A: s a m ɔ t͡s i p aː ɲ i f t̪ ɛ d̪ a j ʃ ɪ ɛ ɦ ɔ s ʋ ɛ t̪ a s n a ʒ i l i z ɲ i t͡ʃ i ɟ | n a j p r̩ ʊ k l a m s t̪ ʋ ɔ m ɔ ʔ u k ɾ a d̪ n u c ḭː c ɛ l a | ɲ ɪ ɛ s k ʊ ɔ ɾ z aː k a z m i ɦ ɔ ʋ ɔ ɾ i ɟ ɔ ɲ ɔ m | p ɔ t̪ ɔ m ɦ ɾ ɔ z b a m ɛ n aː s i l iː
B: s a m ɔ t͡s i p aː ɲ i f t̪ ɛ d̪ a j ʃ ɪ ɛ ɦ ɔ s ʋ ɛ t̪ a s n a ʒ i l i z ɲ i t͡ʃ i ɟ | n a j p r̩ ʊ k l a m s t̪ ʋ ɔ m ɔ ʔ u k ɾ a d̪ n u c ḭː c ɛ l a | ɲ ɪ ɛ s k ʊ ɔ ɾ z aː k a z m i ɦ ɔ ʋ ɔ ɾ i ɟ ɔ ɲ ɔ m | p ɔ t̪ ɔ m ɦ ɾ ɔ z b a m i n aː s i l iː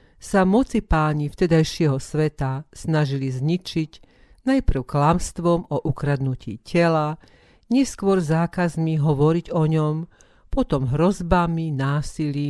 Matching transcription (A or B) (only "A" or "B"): B